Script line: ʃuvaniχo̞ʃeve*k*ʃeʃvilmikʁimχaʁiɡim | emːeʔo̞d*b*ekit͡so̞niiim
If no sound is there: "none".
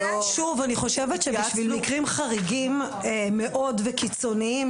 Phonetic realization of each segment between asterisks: t, v

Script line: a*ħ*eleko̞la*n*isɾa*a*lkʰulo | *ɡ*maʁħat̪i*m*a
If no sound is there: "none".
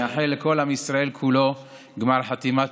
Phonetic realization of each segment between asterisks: ħ, m, e, ɡ, m

